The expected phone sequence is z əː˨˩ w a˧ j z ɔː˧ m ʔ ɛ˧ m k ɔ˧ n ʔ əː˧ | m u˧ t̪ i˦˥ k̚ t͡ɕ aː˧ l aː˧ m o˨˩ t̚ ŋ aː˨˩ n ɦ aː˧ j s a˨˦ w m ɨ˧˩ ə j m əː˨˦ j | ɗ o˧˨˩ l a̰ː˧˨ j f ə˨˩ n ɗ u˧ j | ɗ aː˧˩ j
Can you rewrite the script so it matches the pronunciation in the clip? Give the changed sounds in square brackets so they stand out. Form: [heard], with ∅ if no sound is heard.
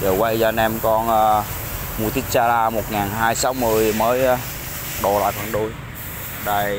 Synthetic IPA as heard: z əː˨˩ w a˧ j z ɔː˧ [n] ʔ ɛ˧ m k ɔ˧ n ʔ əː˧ | m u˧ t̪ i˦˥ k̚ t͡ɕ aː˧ l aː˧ m o˨˩ t̚ ŋ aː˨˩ n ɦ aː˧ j s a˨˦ w m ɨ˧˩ ə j m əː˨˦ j | ɗ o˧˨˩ l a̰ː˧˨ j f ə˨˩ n ɗ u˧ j | ɗ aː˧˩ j